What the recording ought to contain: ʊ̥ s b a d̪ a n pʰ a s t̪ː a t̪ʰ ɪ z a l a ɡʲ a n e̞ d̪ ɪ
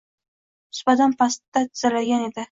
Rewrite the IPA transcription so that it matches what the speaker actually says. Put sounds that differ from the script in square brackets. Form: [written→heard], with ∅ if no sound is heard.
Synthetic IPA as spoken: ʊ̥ s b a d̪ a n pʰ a s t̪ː a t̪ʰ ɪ z a l a ɡʲ a n e̞ d̪ ɪ